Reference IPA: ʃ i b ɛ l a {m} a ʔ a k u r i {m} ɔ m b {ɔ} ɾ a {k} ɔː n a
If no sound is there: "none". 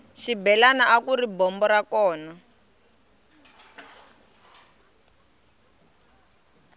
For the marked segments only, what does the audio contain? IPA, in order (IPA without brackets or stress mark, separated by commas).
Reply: n, b, ɔ, k